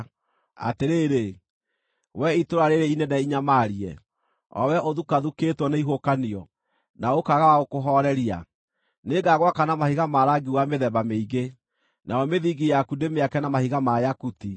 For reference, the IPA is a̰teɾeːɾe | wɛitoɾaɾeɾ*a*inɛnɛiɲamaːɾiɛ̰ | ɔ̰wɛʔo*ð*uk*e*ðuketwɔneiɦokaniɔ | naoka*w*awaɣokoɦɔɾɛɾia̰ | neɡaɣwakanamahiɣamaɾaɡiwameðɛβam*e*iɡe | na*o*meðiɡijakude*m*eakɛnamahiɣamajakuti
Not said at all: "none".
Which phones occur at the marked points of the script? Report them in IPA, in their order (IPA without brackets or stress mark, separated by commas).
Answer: e, ð, a, ɣ, e, ɔ, m